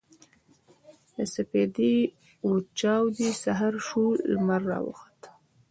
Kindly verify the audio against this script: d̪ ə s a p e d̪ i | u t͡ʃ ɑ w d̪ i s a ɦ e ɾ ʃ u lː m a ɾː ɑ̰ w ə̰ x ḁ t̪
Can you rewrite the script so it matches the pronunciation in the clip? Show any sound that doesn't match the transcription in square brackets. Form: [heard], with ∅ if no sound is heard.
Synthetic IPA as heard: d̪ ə s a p e d̪ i | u t͡ʃ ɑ w d̪ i s a ɦ [a] ɾ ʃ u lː m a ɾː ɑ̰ w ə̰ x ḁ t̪